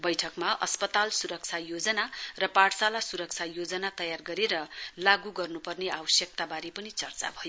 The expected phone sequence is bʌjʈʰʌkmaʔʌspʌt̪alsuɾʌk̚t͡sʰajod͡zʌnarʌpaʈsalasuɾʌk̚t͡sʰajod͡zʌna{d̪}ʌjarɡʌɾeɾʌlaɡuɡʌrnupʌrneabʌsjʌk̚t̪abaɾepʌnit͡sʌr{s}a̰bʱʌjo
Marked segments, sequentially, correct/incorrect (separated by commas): incorrect, incorrect